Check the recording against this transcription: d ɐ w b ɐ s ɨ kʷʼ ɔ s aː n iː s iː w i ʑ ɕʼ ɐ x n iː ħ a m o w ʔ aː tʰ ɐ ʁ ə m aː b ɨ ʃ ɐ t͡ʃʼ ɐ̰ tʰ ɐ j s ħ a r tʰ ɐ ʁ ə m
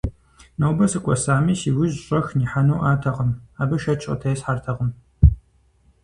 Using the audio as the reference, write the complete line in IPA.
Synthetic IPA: n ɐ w b ɐ s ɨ kʷʼ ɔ s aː m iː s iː w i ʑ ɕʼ ɐ x n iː ħ a n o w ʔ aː tʰ ɐ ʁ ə m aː b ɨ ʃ ɐ t͡ʃʼ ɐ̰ tʰ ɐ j s ħ a r tʰ ɐ ʁ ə m